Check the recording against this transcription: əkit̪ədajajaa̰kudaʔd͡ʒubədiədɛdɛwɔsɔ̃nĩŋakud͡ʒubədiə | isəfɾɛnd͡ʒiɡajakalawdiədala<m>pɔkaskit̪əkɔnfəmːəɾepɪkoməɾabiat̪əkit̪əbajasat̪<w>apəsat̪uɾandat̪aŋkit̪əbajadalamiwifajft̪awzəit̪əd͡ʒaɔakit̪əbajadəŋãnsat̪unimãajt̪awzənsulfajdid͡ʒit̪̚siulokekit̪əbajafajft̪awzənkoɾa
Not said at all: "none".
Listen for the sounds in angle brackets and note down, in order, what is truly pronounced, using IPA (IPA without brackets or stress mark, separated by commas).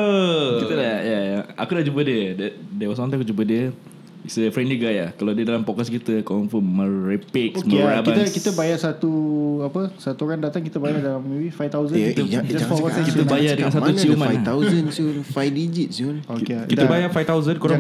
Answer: m, u